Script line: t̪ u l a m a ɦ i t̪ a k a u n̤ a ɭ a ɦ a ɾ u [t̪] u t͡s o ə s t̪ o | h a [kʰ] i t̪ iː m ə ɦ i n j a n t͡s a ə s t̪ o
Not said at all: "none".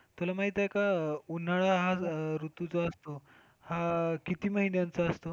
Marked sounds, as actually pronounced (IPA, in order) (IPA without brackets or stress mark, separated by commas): t̪, k